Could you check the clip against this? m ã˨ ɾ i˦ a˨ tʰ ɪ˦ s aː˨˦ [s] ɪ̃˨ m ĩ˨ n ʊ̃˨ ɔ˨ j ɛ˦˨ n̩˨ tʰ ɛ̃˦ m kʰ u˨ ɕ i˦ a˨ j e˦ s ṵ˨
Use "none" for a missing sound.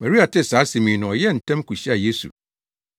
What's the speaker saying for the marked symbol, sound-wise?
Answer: s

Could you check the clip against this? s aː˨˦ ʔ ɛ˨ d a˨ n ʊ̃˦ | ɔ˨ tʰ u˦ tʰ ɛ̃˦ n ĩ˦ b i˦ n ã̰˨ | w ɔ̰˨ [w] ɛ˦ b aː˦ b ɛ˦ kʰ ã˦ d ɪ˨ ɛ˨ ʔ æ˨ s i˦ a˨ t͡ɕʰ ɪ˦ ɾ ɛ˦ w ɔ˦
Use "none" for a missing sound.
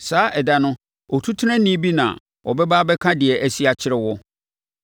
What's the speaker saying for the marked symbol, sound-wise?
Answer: b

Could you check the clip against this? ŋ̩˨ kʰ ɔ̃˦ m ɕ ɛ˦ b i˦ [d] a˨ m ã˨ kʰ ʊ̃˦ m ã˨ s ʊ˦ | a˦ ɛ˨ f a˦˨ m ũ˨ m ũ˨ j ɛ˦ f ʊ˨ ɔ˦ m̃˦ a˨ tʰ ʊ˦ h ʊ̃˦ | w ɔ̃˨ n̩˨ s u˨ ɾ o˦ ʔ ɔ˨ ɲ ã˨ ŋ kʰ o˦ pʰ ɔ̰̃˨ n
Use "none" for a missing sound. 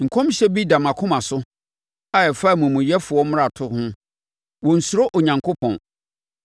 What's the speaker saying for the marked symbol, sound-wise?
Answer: d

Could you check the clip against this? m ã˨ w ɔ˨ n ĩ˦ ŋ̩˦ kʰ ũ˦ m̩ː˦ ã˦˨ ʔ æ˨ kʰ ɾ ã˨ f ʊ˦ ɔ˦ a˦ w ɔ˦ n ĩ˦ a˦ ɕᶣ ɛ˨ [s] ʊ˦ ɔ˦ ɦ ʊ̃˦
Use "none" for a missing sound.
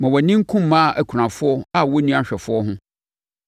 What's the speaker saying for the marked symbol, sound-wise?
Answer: f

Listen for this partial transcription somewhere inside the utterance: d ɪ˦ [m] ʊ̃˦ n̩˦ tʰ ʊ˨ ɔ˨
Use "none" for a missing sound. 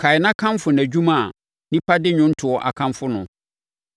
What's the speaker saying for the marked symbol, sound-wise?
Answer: ɲ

